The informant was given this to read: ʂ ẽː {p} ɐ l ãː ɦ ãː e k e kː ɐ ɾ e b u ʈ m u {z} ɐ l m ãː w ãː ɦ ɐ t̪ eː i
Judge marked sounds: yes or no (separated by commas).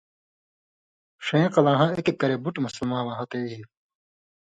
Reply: no, no